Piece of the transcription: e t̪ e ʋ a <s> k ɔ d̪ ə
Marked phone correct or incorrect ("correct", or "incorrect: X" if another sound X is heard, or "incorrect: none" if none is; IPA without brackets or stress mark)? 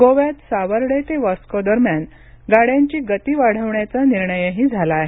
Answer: correct